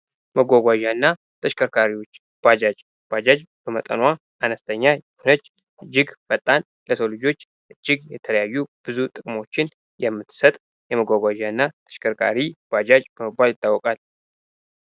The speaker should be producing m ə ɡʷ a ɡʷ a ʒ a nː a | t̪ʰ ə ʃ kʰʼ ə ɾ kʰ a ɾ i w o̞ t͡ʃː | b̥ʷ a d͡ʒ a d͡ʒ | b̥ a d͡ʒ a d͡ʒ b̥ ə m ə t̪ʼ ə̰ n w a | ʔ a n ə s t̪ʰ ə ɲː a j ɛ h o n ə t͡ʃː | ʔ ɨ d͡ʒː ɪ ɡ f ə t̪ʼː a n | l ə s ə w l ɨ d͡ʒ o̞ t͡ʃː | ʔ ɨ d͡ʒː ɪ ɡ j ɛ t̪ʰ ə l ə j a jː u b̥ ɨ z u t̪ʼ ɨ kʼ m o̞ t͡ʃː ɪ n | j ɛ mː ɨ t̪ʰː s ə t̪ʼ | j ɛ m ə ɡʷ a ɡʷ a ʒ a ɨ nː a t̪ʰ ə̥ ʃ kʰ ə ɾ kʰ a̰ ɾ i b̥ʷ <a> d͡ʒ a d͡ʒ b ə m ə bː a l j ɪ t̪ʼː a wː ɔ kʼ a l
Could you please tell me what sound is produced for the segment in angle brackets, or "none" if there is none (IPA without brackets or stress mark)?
a